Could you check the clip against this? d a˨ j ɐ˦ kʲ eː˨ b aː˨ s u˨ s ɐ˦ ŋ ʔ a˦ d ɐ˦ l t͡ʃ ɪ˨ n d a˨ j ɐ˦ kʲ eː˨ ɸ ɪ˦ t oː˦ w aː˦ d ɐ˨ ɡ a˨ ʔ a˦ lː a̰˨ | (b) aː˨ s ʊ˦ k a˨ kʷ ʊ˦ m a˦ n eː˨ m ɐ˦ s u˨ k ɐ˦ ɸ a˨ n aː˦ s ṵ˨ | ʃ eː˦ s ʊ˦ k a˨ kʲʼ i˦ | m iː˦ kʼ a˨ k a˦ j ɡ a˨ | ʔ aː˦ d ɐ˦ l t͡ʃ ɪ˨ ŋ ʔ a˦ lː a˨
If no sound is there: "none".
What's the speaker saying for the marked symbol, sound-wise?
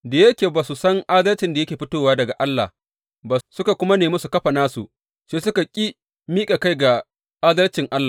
b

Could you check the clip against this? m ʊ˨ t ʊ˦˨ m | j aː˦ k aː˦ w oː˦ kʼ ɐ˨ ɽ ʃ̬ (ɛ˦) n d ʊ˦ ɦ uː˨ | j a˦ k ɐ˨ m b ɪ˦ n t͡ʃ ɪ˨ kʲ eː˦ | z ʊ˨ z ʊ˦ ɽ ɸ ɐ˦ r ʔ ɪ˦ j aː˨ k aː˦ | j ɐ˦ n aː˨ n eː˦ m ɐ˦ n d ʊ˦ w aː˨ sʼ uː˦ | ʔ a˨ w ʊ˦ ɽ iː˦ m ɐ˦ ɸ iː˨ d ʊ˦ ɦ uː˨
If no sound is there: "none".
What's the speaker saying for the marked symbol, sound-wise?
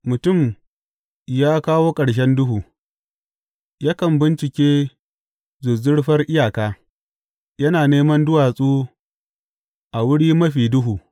ɛ˦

